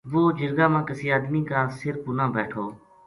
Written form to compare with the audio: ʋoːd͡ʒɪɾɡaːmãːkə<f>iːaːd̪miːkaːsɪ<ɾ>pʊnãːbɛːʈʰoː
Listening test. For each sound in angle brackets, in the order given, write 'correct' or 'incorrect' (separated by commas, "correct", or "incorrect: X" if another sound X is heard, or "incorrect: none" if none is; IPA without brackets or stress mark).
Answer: incorrect: s, correct